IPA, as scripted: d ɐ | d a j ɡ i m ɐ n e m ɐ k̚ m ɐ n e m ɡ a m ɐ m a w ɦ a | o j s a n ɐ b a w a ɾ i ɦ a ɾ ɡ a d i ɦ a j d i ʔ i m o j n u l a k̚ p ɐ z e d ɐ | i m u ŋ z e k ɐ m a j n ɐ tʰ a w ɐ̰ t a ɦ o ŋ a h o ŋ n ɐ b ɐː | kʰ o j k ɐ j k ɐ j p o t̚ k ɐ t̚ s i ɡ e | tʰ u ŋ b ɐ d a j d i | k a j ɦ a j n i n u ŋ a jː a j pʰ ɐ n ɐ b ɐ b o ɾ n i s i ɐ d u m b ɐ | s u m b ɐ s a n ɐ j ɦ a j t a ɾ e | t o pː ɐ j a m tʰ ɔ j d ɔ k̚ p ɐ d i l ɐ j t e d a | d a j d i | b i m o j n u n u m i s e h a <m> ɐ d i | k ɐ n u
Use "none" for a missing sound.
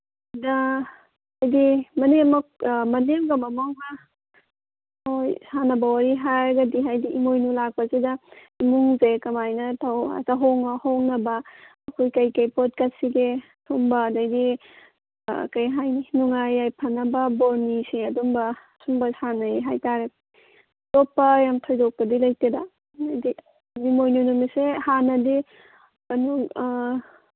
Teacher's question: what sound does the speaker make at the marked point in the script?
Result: n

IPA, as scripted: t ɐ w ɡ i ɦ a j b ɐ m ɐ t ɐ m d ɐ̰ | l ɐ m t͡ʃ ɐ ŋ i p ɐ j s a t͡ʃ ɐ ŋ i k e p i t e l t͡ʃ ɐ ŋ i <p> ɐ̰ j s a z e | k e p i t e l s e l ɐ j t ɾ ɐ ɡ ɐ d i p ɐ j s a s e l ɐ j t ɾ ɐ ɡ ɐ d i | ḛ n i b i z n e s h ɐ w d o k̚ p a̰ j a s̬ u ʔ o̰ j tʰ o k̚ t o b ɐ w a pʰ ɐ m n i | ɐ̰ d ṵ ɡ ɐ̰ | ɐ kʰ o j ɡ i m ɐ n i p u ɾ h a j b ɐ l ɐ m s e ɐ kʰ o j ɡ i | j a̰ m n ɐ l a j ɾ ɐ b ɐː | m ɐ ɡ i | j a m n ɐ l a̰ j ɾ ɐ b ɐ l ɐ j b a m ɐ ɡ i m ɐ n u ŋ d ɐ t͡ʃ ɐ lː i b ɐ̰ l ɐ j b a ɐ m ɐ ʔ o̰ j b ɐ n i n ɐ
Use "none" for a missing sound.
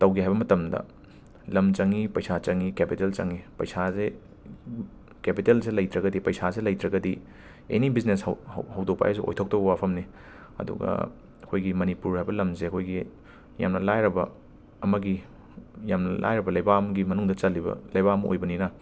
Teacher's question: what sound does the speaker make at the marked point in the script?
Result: p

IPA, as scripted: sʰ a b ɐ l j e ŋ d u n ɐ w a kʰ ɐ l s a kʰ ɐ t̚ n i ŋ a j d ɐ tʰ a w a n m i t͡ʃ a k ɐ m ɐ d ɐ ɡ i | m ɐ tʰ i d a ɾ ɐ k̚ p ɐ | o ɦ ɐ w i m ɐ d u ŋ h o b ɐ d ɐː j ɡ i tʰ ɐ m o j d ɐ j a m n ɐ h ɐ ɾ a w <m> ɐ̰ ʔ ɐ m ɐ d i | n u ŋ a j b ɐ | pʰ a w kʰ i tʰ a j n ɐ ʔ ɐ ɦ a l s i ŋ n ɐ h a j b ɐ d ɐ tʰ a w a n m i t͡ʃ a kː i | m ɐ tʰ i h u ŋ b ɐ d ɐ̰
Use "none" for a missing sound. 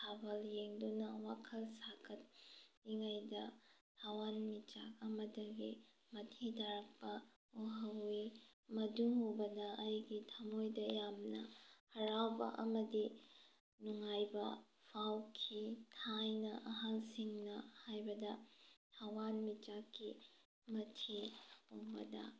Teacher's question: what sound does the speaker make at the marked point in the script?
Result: b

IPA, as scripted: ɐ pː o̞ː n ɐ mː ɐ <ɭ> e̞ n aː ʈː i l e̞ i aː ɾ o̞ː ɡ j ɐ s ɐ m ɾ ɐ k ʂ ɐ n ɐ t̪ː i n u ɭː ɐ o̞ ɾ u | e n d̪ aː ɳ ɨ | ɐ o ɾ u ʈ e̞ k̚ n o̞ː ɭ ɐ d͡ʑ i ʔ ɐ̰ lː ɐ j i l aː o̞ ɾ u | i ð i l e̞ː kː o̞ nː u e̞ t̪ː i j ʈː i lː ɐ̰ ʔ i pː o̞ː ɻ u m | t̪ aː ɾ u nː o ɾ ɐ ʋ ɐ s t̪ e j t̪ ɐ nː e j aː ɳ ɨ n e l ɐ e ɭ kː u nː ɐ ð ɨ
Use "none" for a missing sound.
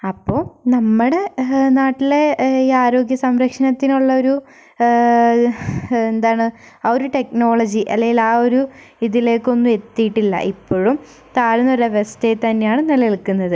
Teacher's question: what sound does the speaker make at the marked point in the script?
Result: ɽ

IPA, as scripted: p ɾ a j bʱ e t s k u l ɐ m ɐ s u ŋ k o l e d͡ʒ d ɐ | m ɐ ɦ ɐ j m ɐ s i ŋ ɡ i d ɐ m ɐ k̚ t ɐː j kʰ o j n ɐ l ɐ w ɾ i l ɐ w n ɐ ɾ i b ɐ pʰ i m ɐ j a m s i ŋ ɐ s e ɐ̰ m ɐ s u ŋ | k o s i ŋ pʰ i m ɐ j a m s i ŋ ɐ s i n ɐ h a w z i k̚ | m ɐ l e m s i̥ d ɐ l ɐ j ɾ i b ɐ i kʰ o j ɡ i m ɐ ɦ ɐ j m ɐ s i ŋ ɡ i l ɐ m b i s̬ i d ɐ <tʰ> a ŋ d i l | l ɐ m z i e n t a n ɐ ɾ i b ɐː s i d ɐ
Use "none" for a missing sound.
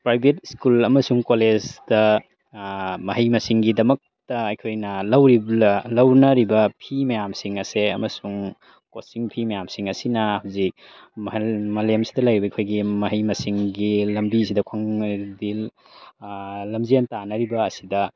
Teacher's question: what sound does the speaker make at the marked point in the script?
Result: kʰ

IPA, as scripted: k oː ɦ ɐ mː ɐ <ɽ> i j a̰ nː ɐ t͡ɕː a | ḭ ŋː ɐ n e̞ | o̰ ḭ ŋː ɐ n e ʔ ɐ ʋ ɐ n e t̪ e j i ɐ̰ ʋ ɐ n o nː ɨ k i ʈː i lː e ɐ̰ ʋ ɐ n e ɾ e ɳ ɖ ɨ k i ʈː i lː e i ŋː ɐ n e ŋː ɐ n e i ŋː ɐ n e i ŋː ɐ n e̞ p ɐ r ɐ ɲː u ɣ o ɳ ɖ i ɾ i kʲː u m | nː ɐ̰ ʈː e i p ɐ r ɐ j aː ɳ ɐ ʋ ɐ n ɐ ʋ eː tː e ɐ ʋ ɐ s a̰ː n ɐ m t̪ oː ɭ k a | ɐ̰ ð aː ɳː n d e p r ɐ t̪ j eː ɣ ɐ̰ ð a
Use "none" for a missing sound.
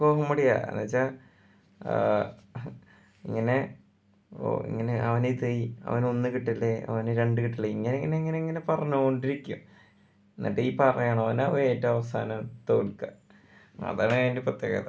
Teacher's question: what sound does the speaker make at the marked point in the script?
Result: ɽ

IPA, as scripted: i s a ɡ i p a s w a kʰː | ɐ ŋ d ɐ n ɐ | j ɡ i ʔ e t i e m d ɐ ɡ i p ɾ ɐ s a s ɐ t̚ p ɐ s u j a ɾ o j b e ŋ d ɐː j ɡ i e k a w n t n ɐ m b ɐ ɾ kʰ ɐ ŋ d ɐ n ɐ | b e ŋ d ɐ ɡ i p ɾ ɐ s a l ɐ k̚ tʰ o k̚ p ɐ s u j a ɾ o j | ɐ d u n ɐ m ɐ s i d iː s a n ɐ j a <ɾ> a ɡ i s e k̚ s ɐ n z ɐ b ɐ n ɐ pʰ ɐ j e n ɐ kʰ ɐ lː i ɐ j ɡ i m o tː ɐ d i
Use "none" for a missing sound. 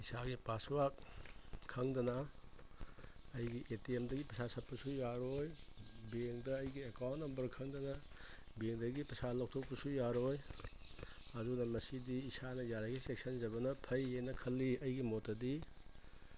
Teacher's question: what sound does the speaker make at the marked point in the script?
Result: ɾ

